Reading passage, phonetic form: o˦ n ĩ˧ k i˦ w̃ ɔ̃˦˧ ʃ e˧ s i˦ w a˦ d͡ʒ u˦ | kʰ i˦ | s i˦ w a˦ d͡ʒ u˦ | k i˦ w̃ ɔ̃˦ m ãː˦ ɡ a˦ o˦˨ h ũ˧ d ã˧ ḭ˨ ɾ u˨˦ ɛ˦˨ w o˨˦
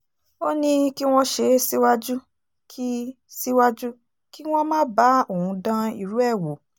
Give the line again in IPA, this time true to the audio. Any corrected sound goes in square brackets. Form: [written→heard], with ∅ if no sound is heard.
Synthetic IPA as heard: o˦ n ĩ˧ k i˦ w̃ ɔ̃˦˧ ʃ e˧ s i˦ w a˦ d͡ʒ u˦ | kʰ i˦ | s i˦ w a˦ d͡ʒ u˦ | k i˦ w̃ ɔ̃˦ m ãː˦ [ɡ→b] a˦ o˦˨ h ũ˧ d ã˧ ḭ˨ ɾ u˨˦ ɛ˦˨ w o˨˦